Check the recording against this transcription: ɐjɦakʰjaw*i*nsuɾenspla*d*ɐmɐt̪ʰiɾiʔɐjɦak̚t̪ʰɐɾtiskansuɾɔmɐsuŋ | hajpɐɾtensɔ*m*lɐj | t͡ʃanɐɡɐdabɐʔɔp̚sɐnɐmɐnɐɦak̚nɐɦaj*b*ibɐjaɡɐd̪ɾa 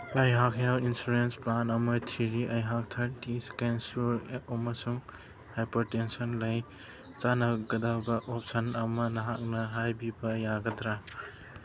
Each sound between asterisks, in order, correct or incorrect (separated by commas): correct, incorrect, incorrect, correct